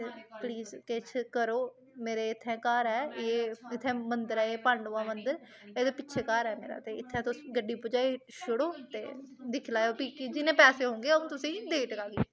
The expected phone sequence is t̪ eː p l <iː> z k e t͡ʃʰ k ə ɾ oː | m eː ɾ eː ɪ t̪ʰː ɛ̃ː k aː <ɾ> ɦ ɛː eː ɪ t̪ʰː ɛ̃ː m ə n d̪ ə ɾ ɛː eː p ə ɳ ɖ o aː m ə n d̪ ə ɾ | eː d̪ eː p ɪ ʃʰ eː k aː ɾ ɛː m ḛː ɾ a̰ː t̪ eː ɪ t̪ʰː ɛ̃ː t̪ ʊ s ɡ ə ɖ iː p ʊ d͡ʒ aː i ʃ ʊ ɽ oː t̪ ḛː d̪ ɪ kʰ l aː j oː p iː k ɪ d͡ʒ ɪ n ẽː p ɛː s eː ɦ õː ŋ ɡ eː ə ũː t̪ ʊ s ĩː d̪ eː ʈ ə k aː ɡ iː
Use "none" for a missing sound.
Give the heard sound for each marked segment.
iː, ɾ

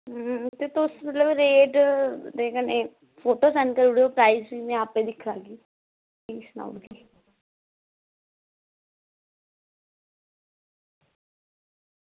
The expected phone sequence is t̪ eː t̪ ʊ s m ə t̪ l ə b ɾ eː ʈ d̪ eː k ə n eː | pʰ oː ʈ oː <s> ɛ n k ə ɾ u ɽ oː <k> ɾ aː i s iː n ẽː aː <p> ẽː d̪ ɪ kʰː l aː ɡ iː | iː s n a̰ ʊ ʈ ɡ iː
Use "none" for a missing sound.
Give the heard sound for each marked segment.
s, p, p

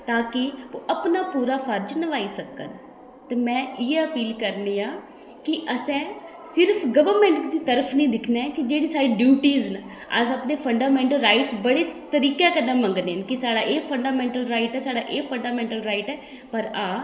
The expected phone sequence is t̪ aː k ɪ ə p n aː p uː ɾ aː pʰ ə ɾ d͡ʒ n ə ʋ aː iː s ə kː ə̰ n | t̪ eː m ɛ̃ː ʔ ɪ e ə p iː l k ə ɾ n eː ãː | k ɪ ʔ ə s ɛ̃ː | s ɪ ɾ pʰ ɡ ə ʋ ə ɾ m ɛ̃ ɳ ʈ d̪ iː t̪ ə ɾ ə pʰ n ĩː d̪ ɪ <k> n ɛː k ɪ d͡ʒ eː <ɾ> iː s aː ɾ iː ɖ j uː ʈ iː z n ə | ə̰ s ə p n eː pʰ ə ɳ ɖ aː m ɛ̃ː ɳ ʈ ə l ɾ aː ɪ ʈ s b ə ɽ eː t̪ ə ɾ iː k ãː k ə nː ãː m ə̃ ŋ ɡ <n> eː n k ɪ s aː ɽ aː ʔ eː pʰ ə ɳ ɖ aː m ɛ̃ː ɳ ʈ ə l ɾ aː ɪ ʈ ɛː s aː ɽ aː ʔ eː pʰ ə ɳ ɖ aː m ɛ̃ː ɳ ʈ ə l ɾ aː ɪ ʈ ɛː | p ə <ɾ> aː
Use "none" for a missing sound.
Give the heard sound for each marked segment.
kʰ, ɽ, n, ɾ

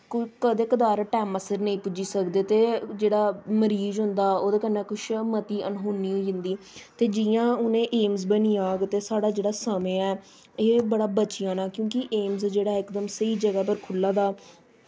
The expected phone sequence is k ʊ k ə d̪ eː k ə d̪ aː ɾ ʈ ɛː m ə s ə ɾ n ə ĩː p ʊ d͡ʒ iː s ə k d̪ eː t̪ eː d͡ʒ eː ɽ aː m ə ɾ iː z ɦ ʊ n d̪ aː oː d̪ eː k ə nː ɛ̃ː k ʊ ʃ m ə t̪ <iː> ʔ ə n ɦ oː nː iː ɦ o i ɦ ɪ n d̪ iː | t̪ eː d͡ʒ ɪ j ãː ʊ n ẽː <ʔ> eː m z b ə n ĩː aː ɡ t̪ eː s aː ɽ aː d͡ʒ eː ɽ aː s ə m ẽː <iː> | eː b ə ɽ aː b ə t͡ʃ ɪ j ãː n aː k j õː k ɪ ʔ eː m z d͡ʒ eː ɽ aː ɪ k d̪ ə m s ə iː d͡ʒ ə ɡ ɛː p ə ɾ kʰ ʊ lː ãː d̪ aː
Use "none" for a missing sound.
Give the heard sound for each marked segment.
iː, ʔ, ɛː

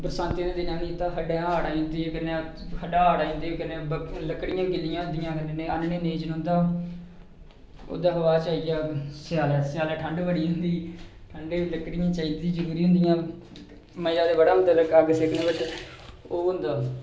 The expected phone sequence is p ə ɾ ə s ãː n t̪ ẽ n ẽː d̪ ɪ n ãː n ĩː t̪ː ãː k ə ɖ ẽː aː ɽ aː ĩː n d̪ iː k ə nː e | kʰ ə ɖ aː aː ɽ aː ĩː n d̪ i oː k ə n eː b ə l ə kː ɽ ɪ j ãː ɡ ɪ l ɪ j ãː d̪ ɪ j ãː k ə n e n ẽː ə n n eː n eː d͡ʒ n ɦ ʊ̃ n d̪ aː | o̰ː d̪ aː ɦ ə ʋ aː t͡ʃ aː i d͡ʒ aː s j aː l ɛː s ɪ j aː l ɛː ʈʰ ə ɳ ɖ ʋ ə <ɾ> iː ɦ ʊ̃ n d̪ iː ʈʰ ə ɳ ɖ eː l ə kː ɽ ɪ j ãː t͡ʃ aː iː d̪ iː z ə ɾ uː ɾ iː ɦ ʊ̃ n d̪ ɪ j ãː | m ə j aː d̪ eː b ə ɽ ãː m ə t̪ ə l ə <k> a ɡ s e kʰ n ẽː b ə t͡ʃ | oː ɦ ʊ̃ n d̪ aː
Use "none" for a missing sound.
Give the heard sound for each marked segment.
ɽ, k

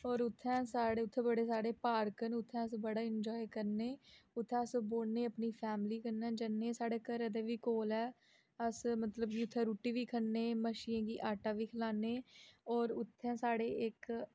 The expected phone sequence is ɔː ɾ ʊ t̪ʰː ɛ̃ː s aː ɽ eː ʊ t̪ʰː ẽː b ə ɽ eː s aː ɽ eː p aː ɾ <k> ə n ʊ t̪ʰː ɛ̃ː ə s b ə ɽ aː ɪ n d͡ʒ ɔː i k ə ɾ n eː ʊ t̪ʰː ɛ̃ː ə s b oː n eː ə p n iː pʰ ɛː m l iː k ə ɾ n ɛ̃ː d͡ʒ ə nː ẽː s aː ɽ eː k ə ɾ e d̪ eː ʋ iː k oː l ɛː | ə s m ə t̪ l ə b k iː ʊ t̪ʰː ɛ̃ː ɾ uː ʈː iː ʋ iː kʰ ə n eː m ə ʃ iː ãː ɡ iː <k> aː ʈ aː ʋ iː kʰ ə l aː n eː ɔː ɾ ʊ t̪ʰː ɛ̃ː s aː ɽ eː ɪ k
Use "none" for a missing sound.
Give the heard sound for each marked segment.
k, ʔ

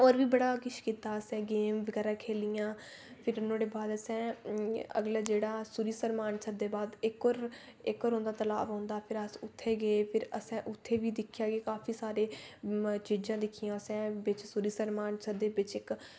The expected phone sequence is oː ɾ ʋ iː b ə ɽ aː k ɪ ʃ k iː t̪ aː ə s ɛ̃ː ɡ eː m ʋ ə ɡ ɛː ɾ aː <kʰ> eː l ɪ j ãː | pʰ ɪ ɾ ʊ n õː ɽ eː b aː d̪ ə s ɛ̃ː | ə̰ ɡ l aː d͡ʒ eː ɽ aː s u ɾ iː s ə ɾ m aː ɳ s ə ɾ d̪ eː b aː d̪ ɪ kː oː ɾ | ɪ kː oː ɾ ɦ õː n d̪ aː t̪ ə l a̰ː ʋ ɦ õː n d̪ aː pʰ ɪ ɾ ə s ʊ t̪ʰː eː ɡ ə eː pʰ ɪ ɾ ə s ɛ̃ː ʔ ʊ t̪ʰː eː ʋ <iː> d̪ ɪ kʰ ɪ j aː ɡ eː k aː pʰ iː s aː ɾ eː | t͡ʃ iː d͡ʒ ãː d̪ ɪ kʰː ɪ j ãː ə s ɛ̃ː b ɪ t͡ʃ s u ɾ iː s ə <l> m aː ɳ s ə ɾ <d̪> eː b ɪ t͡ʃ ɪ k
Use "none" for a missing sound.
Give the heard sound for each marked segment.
kʰ, iː, ɾ, d̪

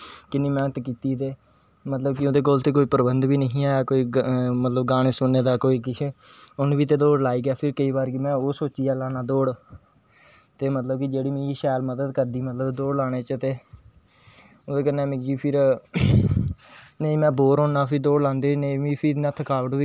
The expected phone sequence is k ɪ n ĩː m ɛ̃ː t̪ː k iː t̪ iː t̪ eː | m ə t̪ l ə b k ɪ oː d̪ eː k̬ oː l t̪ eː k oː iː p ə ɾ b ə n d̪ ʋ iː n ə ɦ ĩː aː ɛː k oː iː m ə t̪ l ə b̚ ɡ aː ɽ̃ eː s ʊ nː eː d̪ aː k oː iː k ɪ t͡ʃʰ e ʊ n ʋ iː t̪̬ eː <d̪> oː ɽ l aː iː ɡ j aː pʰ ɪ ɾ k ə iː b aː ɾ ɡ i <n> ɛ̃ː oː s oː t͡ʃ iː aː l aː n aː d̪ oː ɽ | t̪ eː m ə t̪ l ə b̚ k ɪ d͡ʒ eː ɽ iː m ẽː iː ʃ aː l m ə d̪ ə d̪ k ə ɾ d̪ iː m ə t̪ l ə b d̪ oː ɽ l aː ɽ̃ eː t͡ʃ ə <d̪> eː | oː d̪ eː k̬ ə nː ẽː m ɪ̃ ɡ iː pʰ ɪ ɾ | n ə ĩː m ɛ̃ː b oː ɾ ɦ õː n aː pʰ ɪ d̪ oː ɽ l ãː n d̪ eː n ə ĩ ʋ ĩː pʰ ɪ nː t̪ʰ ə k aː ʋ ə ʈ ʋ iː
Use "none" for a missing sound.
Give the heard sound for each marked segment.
d̪, m, t̪

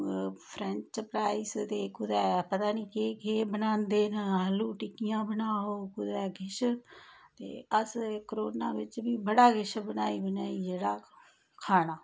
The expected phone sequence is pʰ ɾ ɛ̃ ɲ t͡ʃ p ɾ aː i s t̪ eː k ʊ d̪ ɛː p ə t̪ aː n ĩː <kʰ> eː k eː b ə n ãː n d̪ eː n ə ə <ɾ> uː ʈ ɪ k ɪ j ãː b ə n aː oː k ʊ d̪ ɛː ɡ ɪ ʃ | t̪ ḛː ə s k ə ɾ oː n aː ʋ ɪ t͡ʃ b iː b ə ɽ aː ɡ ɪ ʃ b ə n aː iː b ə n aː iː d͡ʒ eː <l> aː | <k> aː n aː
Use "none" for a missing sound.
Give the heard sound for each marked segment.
k, l, ɽ, kʰ

